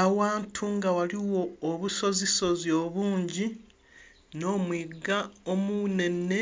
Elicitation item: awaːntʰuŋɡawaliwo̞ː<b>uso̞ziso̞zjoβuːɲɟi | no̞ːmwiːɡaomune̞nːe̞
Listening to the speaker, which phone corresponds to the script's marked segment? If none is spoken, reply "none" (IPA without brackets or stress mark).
β